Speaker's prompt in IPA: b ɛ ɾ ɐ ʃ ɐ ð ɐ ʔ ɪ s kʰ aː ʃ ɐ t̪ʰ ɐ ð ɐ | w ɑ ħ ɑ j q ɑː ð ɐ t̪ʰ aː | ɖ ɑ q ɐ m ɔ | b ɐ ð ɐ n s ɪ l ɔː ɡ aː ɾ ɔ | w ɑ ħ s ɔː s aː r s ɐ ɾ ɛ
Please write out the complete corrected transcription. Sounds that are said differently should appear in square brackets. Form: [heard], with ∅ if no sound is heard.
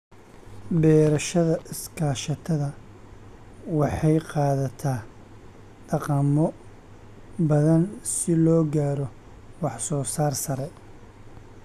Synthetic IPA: b [ɛː] ɾ ɐ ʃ ɐ ð ɐ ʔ ɪ s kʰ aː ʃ ɐ t̪ʰ ɐ ð ɐ | w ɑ ħ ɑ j q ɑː ð ɐ t̪ʰ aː | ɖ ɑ q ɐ m ɔ | b ɐ ð ɐ n s ɪ l ɔː ɡ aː ɾ ɔ | w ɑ ħ s ɔː s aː r s ɐ ɾ ɛ